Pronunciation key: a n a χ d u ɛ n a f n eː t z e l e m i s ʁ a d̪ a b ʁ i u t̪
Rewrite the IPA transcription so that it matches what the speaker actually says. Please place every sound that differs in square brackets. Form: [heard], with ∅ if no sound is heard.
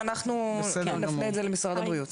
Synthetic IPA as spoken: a n a χ [n] u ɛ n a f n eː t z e l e m i s ʁ a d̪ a b ʁ i u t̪